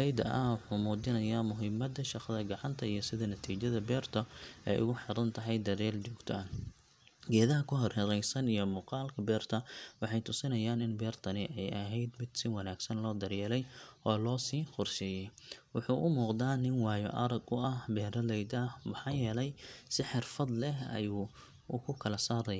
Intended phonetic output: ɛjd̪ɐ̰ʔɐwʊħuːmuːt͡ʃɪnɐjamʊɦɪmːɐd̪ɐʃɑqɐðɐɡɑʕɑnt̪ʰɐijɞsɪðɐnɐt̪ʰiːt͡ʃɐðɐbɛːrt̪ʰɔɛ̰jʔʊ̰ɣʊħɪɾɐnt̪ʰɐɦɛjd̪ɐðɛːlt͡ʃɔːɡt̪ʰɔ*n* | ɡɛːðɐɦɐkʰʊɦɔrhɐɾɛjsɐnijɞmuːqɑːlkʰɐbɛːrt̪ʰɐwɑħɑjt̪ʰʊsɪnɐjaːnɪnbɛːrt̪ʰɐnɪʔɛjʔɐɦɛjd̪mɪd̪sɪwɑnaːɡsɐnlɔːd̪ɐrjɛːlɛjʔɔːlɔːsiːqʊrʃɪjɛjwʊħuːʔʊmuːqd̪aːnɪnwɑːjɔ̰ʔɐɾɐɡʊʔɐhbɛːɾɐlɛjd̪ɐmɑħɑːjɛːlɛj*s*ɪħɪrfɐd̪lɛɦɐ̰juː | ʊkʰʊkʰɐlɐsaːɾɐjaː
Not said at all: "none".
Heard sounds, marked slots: n, s

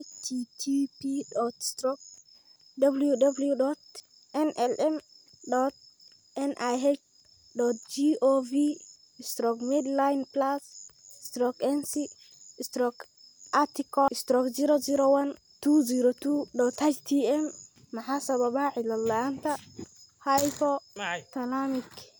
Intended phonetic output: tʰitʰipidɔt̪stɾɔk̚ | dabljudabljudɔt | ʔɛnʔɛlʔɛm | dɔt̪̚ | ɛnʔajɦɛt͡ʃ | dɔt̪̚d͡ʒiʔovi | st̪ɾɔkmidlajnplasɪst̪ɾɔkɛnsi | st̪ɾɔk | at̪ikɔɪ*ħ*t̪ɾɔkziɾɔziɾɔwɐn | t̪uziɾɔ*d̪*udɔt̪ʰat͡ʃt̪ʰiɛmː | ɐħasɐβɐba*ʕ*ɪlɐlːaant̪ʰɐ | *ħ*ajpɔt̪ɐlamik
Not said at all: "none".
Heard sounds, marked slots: s, t̪, ʕ, h

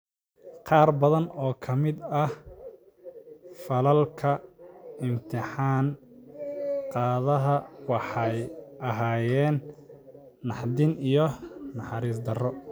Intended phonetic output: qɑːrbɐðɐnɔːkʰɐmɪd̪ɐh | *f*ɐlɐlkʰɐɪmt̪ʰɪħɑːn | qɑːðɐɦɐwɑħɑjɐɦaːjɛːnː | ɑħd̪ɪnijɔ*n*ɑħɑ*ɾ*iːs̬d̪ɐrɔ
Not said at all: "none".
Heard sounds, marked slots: f, n, ɾ

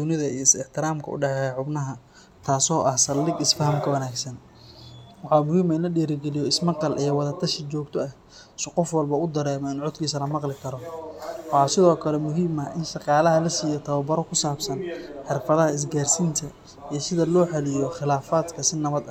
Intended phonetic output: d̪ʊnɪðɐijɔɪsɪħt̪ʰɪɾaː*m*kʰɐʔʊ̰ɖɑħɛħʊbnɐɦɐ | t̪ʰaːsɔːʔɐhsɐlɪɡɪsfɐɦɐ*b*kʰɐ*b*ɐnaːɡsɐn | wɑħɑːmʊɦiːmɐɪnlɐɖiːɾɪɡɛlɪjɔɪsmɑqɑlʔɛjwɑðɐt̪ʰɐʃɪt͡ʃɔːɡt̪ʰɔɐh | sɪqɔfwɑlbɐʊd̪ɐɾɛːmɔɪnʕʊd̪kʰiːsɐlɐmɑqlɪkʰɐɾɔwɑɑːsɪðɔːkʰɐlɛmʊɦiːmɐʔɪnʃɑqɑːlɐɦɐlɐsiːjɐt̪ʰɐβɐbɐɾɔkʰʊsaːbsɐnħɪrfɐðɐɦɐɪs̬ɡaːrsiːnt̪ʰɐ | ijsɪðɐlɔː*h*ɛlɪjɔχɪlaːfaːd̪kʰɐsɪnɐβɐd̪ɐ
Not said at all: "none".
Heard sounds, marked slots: m, m, w, ħ

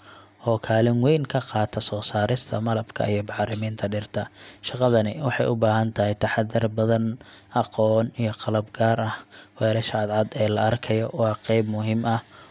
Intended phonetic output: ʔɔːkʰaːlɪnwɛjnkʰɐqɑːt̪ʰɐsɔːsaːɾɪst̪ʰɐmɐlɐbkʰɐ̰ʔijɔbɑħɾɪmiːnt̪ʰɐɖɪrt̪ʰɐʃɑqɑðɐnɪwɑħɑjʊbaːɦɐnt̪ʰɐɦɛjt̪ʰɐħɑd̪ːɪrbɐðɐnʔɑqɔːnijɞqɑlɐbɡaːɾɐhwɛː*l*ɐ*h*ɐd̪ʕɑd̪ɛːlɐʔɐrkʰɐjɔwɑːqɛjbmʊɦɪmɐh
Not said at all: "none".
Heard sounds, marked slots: ɾ, ʃ

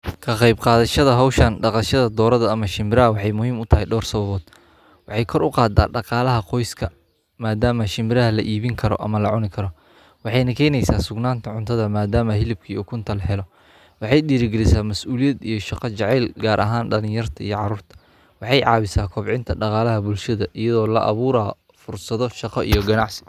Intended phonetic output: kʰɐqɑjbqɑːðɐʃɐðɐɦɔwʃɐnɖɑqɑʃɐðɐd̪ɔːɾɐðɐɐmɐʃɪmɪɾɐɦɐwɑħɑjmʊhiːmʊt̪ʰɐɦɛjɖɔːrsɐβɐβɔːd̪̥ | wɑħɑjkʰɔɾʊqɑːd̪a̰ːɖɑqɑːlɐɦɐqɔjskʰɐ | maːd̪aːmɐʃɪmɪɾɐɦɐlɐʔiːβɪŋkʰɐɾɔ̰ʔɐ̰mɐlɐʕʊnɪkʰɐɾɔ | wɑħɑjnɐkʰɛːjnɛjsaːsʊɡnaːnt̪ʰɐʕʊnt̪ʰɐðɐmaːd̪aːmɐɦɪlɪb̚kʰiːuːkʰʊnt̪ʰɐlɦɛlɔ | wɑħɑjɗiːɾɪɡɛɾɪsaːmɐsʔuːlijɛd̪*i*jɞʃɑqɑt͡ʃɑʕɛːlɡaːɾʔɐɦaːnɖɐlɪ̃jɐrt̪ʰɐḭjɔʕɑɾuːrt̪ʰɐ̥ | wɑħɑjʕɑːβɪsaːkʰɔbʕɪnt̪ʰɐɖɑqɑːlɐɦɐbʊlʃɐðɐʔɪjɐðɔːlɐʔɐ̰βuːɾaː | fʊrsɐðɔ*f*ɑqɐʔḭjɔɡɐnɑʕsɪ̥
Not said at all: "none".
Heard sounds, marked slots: i, ʃ

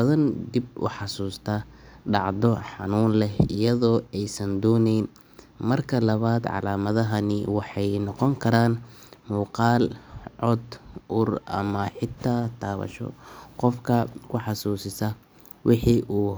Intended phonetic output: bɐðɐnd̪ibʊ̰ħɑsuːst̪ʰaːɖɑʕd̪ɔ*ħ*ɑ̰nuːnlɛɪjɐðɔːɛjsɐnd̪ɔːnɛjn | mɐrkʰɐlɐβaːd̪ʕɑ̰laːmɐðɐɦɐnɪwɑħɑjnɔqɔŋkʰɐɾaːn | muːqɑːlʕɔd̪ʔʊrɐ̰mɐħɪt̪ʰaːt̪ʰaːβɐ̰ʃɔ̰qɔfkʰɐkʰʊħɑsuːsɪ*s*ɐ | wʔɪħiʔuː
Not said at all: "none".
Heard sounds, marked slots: ħ, s

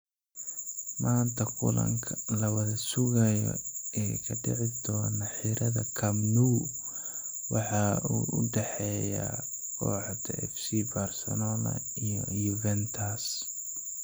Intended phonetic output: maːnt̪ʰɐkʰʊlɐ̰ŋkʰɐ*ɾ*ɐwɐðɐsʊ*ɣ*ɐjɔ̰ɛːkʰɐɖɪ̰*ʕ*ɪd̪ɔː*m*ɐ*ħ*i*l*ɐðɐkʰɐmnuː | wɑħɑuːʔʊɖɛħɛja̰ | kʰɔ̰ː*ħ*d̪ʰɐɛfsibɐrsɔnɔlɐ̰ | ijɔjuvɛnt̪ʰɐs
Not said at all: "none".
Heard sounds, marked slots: l, ɣ, ʕ, n, ħ, ɾ, ħ

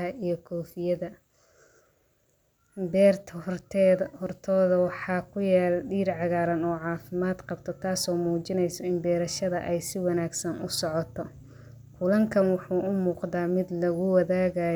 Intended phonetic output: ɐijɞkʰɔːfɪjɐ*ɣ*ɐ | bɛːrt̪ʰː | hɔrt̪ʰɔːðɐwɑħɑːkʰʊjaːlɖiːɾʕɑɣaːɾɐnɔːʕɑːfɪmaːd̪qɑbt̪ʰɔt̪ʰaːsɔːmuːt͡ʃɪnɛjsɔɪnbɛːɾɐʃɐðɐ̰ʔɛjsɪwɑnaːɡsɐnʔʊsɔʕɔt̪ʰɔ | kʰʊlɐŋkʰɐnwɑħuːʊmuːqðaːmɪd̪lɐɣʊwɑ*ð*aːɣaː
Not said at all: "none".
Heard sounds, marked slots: ð, ð

